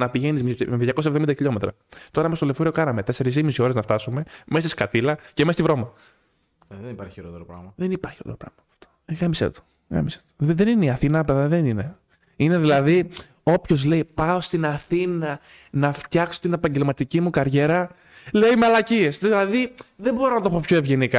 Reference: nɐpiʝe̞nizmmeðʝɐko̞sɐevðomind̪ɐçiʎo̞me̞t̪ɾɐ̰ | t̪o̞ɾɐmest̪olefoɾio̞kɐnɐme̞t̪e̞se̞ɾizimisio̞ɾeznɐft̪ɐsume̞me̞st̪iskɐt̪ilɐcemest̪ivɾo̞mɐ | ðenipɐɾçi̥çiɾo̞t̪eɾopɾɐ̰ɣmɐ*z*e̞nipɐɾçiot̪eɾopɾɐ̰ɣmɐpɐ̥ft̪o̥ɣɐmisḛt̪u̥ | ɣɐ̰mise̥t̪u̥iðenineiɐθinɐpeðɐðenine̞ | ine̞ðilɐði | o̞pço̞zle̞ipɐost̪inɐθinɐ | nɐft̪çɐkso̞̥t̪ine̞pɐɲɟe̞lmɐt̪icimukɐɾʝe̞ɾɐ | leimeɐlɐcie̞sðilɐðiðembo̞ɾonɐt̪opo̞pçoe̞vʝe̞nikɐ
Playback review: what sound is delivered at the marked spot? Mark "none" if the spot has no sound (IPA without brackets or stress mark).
ð